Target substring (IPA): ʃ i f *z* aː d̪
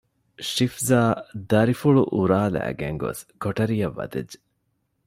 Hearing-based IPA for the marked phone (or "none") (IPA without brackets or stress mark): z